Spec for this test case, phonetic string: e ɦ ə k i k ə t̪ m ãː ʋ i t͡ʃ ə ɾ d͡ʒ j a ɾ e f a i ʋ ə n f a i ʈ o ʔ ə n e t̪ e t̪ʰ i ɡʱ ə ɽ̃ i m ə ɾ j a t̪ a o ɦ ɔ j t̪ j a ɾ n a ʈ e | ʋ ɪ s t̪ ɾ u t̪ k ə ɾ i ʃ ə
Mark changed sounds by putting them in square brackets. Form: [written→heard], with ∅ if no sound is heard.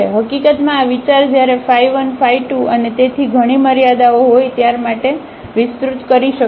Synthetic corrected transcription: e ɦ ə k i k ə t̪ m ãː ʋ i t͡ʃ [ə→a] ɾ d͡ʒ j a ɾ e f a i ʋ ə n f a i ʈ [o→u] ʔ ə n e t̪ e t̪ʰ i ɡʱ ə ɽ̃ i m ə ɾ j a [t̪→d̪] a o ɦ [ɔ→o] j t̪ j a ɾ [n→m] a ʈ e | ʋ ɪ s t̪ ɾ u t̪ k ə ɾ i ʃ ə